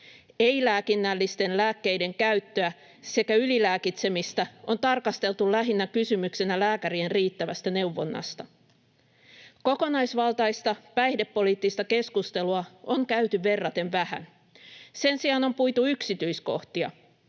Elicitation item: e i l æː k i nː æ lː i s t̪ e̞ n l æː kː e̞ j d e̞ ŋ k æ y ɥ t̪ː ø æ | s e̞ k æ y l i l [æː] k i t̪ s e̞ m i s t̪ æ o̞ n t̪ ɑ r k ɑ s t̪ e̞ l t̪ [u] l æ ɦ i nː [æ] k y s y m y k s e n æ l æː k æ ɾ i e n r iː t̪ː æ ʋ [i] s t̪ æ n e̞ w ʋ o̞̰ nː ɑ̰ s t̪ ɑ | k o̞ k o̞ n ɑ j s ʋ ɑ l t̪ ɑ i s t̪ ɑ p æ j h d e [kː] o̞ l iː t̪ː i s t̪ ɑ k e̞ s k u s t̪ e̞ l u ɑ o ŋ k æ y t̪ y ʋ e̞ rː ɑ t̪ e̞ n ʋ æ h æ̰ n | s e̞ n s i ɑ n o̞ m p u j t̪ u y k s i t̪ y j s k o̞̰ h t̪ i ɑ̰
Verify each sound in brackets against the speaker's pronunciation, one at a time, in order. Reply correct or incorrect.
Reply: correct, correct, correct, incorrect: æ, incorrect: pː

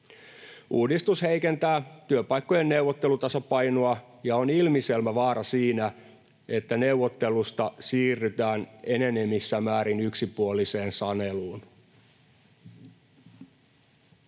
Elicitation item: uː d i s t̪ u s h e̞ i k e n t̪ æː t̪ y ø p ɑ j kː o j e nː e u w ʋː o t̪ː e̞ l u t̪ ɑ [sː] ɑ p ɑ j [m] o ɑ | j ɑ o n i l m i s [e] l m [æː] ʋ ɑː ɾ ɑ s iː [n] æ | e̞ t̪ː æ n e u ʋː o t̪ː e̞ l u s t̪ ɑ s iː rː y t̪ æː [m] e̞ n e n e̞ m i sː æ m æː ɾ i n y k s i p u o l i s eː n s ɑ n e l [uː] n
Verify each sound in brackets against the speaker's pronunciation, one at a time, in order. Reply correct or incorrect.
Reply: incorrect: s, incorrect: n, correct, incorrect: æ, correct, incorrect: n, correct

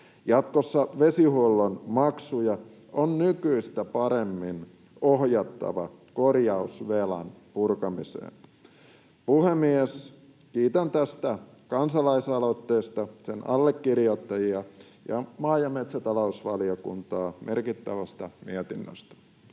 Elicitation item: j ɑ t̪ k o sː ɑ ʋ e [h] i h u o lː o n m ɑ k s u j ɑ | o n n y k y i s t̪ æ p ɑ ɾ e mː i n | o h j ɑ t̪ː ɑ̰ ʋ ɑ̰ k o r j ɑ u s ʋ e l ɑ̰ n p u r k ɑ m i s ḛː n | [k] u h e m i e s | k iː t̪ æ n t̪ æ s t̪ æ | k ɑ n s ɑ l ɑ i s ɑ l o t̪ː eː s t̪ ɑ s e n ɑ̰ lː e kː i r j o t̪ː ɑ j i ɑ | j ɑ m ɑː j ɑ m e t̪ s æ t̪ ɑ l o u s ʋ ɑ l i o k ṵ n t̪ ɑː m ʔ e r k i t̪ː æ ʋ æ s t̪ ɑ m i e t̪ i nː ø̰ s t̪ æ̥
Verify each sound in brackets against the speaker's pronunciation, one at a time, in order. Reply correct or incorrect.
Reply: incorrect: s, incorrect: p

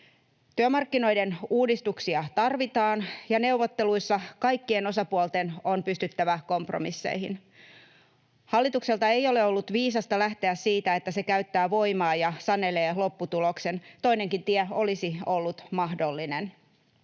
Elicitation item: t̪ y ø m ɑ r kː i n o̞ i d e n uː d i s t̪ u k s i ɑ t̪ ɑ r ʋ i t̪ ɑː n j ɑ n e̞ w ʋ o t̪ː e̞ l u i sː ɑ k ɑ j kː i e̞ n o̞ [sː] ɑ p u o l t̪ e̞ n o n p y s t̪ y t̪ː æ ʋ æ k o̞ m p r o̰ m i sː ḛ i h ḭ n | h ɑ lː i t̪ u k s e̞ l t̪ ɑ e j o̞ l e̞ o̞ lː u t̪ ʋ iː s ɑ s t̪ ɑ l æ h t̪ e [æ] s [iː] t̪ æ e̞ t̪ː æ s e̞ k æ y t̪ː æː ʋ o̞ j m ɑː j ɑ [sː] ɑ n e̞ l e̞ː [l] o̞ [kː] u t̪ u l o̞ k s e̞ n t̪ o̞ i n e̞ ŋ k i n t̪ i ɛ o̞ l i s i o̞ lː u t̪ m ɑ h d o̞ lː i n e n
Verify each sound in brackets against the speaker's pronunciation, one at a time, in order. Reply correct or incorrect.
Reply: incorrect: s, correct, correct, incorrect: s, correct, incorrect: pː

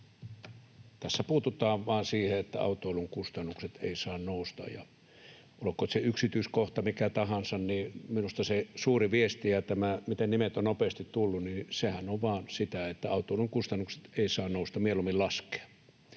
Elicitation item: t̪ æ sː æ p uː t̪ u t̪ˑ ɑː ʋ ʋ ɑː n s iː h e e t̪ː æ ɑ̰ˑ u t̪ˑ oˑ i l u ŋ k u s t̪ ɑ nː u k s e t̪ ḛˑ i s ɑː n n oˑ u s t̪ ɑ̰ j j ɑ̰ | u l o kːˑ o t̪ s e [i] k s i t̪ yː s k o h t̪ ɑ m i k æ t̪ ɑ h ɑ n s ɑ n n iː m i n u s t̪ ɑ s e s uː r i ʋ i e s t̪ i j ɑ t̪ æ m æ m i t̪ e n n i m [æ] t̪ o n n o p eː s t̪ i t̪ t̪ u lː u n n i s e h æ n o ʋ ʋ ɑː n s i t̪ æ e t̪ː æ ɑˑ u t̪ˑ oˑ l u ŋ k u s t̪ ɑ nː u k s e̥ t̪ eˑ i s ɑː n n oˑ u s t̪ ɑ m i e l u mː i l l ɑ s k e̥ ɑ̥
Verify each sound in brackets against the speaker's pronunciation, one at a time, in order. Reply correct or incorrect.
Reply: incorrect: y, incorrect: e

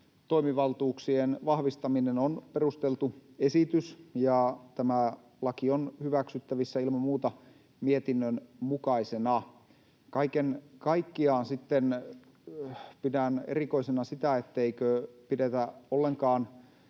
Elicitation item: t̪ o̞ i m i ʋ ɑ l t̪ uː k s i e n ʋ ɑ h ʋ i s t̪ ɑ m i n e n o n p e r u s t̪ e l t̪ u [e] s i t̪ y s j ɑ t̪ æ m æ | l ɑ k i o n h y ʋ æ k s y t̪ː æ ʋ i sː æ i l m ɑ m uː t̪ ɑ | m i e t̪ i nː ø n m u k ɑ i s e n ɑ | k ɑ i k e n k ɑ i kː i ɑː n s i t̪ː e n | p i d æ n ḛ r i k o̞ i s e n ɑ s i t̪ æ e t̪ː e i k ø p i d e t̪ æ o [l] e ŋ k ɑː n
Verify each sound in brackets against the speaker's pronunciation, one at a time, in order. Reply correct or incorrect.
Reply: correct, incorrect: lː

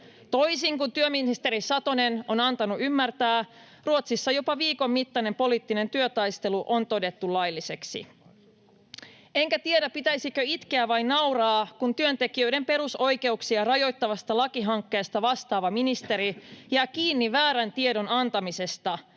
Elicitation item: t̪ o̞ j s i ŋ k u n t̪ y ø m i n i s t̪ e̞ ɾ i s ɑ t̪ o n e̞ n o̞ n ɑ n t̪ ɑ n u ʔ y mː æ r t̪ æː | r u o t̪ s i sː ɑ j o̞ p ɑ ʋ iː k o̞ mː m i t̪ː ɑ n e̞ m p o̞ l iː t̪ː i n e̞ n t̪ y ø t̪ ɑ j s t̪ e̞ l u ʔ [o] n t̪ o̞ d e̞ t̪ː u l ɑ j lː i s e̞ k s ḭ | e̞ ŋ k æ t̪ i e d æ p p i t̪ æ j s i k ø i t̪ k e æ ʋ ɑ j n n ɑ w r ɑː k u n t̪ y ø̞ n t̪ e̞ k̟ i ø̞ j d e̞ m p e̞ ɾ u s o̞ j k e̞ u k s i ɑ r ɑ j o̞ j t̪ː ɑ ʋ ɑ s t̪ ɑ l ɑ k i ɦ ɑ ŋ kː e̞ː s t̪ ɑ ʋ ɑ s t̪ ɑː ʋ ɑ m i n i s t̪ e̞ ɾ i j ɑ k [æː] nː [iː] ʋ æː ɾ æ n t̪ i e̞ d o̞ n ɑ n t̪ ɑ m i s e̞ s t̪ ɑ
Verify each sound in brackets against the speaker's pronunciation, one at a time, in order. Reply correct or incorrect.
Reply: correct, incorrect: iː, incorrect: i

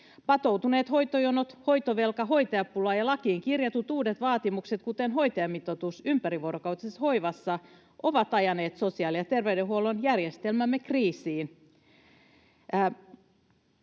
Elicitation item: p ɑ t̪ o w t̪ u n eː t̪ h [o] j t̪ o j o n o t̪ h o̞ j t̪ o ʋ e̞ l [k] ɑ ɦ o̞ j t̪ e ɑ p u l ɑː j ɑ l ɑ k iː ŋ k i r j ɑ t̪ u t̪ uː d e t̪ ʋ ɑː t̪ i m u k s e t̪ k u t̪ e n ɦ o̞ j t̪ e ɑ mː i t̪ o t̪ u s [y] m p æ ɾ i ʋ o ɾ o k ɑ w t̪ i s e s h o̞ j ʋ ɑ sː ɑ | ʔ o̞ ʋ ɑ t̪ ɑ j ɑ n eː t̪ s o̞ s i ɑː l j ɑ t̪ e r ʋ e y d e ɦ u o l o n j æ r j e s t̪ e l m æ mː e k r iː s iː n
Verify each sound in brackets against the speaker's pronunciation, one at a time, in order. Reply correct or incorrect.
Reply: correct, correct, correct

